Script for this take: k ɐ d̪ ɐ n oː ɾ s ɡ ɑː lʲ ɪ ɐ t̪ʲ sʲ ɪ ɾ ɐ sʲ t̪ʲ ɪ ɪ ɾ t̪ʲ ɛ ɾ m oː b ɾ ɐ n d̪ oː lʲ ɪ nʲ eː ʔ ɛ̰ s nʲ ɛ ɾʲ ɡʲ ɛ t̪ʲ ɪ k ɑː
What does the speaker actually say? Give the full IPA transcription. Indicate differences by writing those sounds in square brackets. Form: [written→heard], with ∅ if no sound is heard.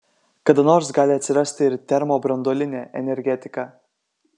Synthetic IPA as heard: k ɐ d̪ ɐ n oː ɾ s ɡ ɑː lʲ ɪ ɐ t̪ʲ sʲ ɪ ɾ ɐ sʲ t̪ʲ ɪ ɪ ɾ t̪ʲ ɛ ɾ m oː b ɾ ɐ n d̪ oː lʲ ɪ nʲ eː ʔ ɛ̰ [s→∅] nʲ ɛ ɾʲ ɡʲ ɛ t̪ʲ ɪ k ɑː